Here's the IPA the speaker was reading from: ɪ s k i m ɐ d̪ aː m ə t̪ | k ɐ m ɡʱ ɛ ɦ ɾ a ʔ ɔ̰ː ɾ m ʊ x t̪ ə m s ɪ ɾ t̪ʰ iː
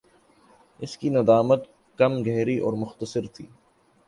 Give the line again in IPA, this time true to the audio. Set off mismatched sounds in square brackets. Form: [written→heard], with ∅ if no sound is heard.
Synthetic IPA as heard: ɪ s k i [m→n] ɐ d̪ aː m ə t̪ | k ɐ m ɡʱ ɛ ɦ ɾ [a→i] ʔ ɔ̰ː ɾ m ʊ x t̪ ə [m→∅] s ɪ ɾ t̪ʰ iː